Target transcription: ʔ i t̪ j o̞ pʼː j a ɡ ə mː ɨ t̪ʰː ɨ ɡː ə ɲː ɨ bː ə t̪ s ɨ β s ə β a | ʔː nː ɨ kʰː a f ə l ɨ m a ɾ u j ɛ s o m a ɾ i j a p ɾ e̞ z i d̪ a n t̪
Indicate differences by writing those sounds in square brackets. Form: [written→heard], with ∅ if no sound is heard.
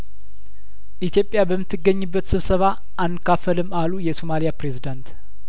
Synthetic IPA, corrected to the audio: ʔ i t̪ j o̞ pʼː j a [ɡ→b] ə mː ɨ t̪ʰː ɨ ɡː ə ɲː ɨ bː ə t̪ s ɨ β s ə β a | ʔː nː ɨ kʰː a f ə l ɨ m a [ɾ→l] u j ɛ s o m a [ɾ→l] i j a p ɾ e̞ z i d̪ a n t̪